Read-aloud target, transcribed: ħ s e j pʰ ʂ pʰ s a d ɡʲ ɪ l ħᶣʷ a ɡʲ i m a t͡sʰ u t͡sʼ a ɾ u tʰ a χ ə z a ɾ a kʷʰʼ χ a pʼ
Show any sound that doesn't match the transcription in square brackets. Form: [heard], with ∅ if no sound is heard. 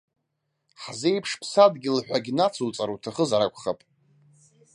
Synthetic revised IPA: ħ [z] e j pʰ ʂ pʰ s a d ɡʲ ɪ l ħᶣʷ a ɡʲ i [n] a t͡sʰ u t͡sʼ a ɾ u tʰ a χ ə z a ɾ a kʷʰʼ χ a pʼ